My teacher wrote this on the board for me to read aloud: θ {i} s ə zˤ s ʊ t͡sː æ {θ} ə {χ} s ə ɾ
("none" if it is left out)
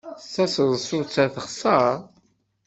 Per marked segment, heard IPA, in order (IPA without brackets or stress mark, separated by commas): æ, θ, χ